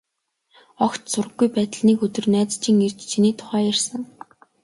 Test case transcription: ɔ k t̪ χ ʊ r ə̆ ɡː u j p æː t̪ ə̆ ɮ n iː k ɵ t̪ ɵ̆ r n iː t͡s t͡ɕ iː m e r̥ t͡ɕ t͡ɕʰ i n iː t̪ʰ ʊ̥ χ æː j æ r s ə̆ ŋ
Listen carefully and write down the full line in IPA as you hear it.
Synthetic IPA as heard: ɔ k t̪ s ʊ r ə̆ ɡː u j p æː t̪ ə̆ ɮ n iː k ɵ t̪ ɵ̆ r n æː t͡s t͡ɕ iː ŋ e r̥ t͡ɕ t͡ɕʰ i n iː t̪ʰ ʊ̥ χ æː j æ r s ə̆ ŋ

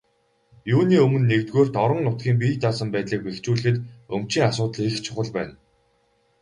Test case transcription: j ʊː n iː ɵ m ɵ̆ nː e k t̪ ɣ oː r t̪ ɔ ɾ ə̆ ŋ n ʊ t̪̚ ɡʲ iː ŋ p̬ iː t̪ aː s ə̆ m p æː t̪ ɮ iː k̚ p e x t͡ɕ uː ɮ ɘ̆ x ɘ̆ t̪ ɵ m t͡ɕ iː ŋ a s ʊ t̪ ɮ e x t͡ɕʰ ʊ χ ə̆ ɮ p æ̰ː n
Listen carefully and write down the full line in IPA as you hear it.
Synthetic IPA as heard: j uː n iː ɵ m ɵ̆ nː e k t̪ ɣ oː r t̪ ɔ ɾ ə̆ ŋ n ʊ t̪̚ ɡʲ iː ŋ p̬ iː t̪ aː s ə̆ m p æː t̪ ɮ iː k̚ p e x t͡ɕ uː ɮ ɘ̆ x ɘ̆ t̪ ɵ m t͡ɕ iː ŋ a s ʊː t̪ ɮ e x t͡ɕʰ ʊ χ ə̆ ɮ p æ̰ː n

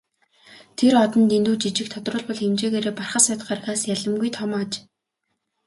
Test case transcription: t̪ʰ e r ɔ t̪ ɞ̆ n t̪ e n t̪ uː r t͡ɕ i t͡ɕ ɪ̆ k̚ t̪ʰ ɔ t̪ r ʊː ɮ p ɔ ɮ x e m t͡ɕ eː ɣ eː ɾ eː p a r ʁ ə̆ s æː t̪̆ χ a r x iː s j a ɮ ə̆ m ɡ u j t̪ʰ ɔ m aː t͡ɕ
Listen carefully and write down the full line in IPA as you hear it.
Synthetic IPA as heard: t̪ʰ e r ɔ t̪ ɞ̆ n t̪ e n t̪ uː t͡ɕ i t͡ɕ ɪ̆ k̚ t̪ʰ ɔ t̪ r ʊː ɮ p ɔ ɮ x e m t͡ɕ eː ɣ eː ɾ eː p a r χ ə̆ s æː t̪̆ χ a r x aː s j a ɮ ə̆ m ɡ u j t̪ʰ ɔ m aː t͡ɕ

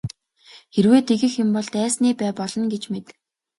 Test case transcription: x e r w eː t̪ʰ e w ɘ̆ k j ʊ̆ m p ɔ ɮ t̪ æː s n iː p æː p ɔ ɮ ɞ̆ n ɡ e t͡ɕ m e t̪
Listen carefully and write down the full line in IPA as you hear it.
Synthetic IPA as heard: x e r w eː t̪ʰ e ɣ ɘ̆ x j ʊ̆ m p ɔ ɮ t̪ æː s n iː p æː p ɔ ɮ ɞ̆ n ɡ e t͡ɕ m e t̪

